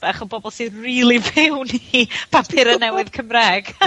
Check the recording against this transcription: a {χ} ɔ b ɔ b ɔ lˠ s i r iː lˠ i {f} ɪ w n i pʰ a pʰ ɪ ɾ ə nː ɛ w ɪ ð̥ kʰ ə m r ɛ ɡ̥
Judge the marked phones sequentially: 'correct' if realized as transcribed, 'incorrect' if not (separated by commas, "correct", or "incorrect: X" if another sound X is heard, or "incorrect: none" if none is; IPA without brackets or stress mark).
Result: correct, incorrect: v